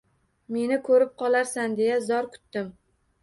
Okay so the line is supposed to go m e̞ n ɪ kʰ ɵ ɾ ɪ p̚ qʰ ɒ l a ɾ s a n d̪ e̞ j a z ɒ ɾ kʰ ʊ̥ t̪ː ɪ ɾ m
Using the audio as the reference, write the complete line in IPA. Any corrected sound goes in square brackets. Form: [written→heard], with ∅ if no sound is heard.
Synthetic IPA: m e̞ n ɪ kʰ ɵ ɾ ɪ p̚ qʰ ɒ l a ɾ s a n d̪ e̞ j a z ɒ ɾ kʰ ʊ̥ t̪ː ɪ [ɾ→∅] m